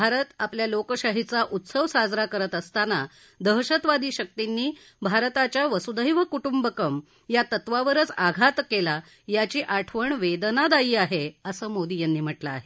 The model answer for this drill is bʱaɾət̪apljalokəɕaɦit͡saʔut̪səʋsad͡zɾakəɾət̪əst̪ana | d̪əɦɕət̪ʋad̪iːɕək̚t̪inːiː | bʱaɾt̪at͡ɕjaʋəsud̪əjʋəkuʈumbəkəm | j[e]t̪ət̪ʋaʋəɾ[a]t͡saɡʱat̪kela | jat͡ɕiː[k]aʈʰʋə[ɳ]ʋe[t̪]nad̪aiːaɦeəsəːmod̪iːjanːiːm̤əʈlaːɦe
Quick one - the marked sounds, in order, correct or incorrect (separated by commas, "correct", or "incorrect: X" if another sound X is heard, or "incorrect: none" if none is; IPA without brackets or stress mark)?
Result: incorrect: a, incorrect: ə, incorrect: ʔ, correct, incorrect: d̪